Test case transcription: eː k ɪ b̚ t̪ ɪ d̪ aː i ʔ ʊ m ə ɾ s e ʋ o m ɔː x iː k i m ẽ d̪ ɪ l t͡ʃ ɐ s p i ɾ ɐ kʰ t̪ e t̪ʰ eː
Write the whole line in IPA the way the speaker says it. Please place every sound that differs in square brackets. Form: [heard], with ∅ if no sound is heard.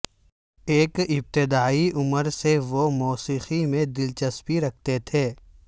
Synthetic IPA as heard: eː k ɪ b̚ t̪ ɪ d̪ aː i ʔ ʊ m ə ɾ s e ʋ o m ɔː [s] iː [x] i m ẽ d̪ ɪ l t͡ʃ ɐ s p i ɾ ɐ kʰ t̪ e t̪ʰ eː